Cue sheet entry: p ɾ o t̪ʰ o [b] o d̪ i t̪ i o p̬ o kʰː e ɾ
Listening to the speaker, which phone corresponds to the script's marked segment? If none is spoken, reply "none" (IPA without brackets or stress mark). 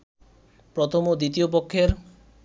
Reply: m